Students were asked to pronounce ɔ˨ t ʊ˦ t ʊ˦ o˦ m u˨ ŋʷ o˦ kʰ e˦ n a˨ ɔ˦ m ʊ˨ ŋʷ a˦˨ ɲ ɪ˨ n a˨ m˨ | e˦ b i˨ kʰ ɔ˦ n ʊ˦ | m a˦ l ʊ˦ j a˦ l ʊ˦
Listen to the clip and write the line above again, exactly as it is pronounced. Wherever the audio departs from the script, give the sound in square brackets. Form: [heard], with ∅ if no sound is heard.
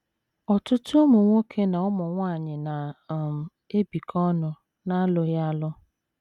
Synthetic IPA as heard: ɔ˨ t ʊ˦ t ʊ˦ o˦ m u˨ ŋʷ o˦ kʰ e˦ n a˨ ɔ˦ m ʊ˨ ŋʷ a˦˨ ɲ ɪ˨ n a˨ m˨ | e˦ b i˨ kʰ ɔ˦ n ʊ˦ | [n] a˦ l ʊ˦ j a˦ l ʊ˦